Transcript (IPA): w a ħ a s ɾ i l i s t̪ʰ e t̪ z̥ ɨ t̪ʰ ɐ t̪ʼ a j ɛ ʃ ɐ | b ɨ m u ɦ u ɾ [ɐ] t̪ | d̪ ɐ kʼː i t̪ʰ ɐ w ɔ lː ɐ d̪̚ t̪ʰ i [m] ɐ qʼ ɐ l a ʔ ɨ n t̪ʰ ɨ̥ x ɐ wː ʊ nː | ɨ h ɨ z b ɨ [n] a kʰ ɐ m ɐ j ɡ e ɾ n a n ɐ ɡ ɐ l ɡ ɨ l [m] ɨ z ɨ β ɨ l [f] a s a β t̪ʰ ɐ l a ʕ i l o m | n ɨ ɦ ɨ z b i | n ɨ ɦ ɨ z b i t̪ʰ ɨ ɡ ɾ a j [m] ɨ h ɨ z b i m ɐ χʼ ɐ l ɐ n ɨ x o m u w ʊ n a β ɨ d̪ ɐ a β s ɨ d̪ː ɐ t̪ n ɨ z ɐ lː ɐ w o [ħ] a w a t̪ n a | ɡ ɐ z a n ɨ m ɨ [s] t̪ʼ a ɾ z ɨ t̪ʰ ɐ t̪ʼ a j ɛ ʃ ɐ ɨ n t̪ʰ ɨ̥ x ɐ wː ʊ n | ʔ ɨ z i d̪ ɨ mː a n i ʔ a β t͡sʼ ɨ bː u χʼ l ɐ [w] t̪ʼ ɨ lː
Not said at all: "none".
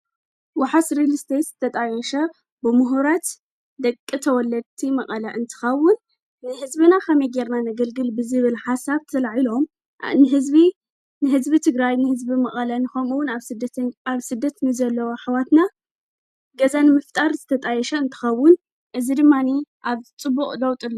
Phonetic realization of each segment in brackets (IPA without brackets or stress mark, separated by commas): a, m, n, b, ħ, n, ħ, f, w